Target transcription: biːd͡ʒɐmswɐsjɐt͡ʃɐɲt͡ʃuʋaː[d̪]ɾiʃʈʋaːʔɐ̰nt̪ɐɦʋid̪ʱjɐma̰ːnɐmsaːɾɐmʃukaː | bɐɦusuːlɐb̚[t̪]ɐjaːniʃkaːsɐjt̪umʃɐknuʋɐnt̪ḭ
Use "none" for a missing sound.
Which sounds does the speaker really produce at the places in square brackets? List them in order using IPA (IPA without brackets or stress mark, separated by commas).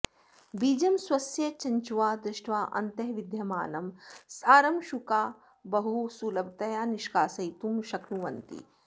d̪, t̪